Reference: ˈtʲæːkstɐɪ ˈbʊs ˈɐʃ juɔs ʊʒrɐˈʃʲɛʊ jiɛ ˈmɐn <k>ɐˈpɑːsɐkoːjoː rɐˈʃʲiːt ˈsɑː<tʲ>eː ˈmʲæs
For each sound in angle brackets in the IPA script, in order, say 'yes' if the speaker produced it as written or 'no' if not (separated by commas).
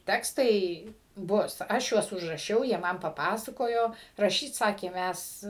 no, no